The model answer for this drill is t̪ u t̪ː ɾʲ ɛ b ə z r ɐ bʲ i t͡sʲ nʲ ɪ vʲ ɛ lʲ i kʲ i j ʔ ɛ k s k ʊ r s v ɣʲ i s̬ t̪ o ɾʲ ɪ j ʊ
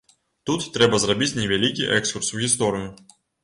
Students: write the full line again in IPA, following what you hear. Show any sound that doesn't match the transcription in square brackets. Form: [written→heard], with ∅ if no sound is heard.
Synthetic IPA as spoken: t̪ u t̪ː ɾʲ ɛ b ə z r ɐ bʲ i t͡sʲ nʲ ɪ vʲ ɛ lʲ i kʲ i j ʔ ɛ k s k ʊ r s v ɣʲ [i→ɪ] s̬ t̪ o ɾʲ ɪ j ʊ